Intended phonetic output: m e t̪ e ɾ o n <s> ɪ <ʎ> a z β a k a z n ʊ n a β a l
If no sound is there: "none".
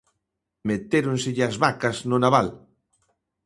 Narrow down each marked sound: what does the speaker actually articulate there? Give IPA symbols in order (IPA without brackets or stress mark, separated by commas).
s, ʎ